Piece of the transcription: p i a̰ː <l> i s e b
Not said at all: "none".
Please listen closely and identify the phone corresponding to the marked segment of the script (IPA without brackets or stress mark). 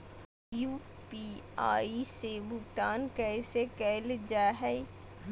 none